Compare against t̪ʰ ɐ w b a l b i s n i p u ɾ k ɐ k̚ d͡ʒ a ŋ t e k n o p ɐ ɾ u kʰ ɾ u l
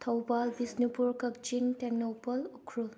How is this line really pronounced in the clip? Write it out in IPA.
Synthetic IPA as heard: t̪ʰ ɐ w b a l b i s n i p u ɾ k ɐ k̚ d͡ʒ i ŋ t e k n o p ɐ l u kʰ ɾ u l